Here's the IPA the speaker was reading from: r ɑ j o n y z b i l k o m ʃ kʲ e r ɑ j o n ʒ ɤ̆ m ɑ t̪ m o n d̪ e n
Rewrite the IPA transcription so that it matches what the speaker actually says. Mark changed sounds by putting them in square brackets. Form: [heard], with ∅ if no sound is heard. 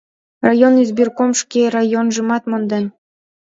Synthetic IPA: r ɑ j o n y z b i [r] k o m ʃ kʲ e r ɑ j o n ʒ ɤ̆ m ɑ t̪ m o n d̪ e n